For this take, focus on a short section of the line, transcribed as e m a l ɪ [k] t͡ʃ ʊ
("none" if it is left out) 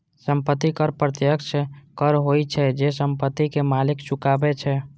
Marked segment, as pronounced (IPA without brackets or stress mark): k